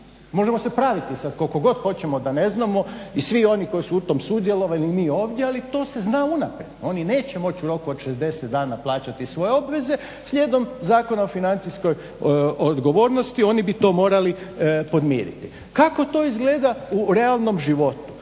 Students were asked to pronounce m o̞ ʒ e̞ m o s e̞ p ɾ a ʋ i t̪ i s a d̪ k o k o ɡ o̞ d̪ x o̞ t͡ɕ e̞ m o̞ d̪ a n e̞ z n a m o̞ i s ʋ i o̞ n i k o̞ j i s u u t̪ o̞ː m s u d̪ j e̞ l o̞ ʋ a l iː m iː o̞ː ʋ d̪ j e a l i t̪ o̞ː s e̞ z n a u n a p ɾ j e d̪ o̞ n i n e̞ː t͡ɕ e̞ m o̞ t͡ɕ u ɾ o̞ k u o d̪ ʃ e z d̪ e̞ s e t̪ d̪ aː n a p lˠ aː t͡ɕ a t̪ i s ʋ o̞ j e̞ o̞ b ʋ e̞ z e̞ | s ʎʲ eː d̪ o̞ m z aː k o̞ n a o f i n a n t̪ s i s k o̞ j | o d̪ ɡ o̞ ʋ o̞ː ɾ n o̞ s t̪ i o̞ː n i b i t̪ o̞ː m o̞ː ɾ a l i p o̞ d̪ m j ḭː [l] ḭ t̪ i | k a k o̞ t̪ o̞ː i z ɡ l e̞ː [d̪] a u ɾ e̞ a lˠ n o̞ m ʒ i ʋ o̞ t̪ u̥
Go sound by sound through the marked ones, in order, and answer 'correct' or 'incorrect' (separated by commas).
incorrect, correct